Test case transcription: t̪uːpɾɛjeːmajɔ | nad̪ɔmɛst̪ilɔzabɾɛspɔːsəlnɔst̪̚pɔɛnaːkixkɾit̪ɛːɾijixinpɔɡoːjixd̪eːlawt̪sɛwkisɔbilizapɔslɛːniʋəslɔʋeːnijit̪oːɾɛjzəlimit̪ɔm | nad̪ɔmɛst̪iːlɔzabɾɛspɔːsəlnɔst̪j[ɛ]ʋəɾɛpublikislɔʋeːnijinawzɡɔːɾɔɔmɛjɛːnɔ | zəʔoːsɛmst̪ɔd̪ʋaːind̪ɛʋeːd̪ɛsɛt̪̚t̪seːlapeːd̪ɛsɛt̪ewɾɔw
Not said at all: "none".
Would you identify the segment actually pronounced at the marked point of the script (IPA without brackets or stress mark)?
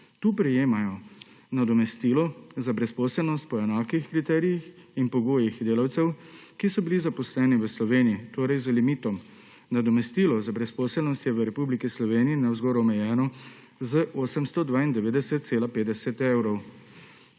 ɛ